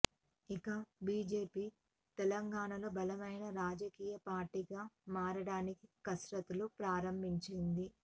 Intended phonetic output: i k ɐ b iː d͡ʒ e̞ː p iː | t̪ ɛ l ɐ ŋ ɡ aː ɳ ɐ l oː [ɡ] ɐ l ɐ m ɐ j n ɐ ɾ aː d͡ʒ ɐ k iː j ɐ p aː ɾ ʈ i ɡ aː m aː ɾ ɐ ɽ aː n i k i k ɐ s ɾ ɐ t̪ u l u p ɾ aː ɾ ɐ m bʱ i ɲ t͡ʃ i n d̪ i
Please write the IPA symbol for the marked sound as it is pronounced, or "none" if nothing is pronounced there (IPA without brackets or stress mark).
b